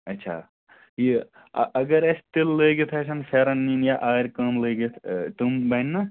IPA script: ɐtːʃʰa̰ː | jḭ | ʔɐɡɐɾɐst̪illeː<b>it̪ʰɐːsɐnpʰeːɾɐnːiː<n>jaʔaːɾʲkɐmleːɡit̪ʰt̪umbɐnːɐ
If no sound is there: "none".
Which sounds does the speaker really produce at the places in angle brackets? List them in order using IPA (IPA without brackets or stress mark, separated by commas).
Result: ɡ, n